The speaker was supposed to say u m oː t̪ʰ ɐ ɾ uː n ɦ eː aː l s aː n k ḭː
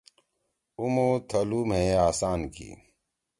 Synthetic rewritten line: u m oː t̪ʰ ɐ l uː m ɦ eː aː s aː n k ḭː

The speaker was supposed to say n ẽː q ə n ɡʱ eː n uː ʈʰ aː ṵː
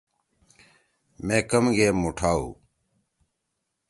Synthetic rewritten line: m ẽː k ə m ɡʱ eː m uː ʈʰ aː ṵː

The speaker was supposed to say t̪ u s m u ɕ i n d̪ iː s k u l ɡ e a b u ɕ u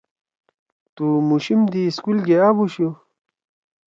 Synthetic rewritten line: t̪ u m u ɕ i m d̪ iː s k u l ɡ e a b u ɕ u

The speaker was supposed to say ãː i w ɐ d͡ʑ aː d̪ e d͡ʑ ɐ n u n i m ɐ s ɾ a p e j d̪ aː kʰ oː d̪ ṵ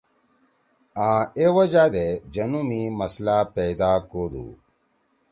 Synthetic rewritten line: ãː e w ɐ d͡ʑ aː d̪ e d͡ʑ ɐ n u m i m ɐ s l a p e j d̪ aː k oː d̪ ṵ

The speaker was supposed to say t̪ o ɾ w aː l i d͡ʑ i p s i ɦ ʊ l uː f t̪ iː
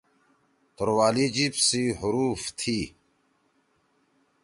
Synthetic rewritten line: t̪ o ɾ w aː l i d͡ʑ i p s i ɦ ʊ ɾ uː f t̪ʰ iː

